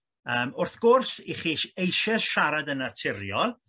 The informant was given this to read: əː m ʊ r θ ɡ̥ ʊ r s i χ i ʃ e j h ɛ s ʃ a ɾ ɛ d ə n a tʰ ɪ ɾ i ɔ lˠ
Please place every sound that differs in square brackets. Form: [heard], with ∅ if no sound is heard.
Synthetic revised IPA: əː m ʊ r θ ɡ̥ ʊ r s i χ i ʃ e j [ʃ] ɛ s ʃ a ɾ [a] d ə n a tʰ ɪ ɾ [j] ɔ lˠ